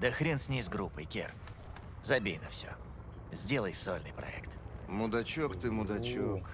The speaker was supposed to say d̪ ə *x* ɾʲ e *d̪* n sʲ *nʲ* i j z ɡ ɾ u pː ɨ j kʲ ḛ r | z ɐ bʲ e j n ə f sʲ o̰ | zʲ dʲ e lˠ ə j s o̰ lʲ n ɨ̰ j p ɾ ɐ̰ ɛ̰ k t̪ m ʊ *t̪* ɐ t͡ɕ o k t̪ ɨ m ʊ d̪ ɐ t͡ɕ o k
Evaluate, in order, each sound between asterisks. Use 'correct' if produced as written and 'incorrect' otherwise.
correct, incorrect: none, correct, incorrect: d̪

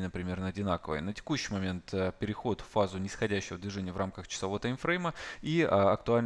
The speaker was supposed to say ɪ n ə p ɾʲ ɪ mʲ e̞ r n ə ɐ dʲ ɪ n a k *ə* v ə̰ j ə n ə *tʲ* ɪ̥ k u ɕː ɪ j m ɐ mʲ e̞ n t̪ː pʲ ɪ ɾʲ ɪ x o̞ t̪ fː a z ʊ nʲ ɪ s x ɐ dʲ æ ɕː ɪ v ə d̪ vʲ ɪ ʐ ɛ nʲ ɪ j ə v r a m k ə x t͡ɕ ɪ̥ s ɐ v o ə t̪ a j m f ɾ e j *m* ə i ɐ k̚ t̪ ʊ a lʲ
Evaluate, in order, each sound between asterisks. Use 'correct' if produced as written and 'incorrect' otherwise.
correct, correct, correct

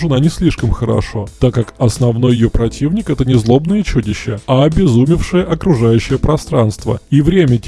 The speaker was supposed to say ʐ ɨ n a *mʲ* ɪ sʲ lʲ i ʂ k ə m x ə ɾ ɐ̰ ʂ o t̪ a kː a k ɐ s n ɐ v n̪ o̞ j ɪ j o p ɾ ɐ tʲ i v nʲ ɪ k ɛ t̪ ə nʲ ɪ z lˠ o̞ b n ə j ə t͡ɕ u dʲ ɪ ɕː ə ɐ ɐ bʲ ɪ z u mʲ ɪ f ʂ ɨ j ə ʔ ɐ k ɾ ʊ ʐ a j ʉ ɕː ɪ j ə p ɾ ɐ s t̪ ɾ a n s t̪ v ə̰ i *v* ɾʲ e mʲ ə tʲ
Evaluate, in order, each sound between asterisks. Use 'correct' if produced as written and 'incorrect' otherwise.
incorrect: nʲ, correct

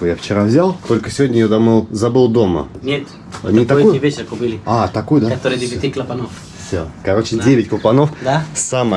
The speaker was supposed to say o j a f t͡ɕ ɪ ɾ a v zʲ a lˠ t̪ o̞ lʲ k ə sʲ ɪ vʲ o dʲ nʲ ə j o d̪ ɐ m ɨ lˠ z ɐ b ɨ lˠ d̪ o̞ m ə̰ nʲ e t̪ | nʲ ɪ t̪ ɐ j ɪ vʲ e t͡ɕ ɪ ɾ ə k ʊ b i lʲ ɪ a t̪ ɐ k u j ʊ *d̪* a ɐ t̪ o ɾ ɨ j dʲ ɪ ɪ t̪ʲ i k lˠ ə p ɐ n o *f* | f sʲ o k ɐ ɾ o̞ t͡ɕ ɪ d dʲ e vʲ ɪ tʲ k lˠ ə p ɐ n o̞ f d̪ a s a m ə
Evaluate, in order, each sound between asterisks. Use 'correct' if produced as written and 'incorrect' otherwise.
correct, correct

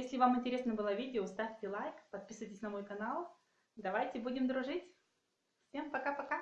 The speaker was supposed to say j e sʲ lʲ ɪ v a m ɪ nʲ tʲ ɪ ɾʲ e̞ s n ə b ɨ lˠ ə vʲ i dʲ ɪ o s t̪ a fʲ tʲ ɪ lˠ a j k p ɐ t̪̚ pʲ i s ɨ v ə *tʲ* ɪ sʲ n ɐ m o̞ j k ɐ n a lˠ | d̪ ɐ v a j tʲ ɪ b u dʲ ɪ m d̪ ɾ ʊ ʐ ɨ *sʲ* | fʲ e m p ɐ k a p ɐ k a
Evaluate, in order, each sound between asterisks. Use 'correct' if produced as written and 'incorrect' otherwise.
correct, incorrect: tʲ

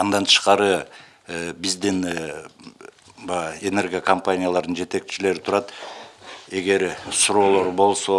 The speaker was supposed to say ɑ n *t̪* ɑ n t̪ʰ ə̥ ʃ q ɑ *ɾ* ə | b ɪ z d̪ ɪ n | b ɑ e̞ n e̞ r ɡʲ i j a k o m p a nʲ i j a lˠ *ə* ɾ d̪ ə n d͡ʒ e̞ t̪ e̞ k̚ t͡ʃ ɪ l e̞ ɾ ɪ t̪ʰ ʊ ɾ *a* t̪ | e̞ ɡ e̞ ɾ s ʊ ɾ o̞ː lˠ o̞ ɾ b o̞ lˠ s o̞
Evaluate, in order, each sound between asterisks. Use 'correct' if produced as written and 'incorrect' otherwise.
incorrect: d̪, correct, incorrect: ɑ, incorrect: ɑ

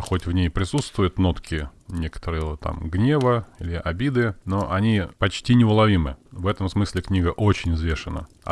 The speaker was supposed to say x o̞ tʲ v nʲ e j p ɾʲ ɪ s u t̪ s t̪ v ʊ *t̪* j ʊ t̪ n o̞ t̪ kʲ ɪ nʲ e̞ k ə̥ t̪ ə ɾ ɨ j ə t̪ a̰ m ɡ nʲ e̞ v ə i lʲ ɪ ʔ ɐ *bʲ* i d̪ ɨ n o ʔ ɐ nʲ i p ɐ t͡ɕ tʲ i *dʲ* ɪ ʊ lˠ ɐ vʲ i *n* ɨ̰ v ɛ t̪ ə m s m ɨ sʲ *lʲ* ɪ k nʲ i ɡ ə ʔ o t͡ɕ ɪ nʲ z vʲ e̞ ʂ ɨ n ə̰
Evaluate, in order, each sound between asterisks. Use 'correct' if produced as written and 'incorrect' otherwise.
incorrect: none, correct, incorrect: nʲ, incorrect: m, correct

